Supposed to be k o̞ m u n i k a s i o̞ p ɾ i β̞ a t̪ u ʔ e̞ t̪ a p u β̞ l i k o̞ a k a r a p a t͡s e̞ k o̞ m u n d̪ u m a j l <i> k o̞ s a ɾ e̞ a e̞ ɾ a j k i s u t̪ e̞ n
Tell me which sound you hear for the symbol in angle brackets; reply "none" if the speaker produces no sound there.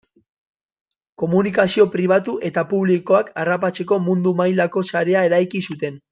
a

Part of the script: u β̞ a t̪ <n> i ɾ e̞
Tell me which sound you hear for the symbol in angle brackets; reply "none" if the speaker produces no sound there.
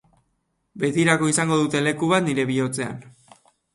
n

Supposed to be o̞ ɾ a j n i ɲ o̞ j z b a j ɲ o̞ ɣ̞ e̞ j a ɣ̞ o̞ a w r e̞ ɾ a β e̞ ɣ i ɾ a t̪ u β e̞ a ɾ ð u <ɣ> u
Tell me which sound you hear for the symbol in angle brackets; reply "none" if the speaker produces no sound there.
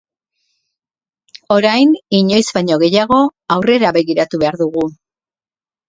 ɣ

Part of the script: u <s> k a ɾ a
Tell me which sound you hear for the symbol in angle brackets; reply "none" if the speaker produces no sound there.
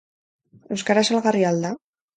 s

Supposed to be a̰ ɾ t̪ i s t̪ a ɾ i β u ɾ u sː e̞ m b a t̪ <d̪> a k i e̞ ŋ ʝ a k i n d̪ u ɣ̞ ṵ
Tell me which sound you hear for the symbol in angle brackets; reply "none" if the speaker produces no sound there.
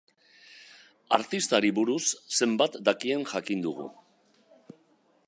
d̪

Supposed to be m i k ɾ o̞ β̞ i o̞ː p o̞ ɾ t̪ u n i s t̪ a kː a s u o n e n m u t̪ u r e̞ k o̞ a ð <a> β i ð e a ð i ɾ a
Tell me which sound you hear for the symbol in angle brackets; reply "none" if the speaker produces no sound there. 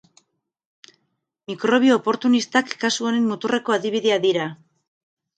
i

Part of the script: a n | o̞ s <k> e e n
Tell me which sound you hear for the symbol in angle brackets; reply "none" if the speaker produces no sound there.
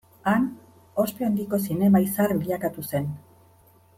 p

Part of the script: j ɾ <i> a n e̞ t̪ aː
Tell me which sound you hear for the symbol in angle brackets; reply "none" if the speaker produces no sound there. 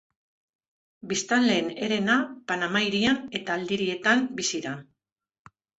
i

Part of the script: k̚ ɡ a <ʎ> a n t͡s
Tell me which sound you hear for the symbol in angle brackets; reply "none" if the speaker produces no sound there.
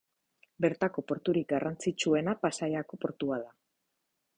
r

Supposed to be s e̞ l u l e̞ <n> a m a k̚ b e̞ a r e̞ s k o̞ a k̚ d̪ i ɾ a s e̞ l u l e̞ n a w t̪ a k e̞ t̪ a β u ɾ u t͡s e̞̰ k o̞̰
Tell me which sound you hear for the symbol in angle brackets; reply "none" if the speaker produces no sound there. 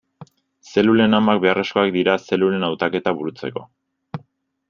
n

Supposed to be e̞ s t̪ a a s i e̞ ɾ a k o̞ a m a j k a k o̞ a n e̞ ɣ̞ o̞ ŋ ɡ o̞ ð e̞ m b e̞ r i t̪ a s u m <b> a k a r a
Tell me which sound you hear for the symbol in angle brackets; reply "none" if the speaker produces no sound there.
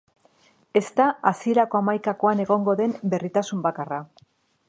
b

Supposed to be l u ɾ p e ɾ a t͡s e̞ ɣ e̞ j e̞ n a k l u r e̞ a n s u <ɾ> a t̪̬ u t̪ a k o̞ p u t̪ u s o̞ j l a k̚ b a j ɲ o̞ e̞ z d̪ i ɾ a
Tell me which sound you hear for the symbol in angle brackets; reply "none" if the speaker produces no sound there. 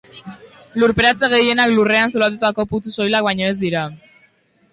l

